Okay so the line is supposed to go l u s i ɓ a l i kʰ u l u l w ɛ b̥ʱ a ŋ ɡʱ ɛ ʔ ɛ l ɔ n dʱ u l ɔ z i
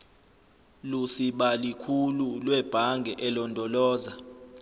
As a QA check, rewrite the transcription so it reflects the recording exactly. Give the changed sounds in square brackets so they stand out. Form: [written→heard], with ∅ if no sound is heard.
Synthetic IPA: l u s i ɓ a l i kʰ u l u l w ɛ b̥ʱ a ŋ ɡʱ ɛ ʔ ɛ l ɔ n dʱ [u→ɔ] l [ɔ→ɔː] z [i→a]